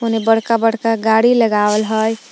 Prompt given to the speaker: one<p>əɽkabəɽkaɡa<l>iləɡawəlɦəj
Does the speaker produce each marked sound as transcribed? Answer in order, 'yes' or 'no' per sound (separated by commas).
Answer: no, no